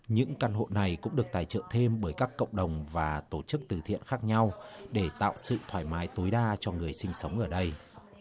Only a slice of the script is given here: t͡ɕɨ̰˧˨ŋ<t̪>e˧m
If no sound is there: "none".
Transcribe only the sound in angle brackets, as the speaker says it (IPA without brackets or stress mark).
t̪ʰ